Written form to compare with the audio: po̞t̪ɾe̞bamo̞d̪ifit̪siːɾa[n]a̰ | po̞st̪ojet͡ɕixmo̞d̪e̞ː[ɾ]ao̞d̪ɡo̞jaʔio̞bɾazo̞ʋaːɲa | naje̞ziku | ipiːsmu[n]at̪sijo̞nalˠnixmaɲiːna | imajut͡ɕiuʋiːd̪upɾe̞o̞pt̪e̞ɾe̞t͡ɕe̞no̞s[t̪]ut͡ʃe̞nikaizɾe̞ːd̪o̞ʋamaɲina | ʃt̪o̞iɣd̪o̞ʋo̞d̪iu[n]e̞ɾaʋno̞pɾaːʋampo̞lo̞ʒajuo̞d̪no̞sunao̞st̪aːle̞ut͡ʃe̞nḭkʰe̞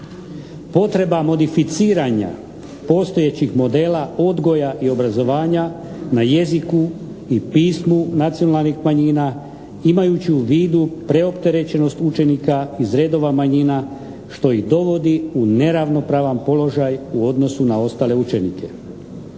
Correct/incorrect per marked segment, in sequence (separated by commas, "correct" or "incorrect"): incorrect, incorrect, correct, correct, correct